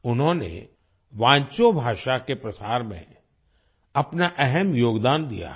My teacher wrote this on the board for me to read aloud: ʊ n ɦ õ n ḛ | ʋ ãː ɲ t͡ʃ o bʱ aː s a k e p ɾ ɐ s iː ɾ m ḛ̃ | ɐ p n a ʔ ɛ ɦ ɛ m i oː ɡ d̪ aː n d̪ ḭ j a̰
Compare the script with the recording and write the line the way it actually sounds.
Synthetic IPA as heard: ʊ n ɦ õ n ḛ | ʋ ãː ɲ t͡ʃ o bʱ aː ʃ a k e p ɾ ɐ s aː ɾ m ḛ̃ | ɐ p n a ʔ ɛ ɦ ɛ m j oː ɡ d̪ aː n d̪ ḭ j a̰